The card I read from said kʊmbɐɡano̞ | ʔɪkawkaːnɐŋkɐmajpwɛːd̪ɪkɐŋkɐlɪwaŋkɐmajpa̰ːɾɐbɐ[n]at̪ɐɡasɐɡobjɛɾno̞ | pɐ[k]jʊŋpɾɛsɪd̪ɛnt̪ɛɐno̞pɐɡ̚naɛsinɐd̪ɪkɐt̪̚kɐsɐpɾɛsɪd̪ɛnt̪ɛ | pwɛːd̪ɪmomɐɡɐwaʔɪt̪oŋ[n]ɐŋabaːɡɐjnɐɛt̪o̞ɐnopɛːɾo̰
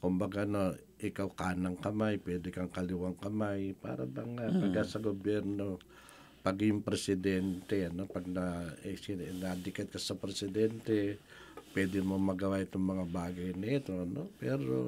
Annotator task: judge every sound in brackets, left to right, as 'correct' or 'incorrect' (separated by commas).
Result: incorrect, incorrect, incorrect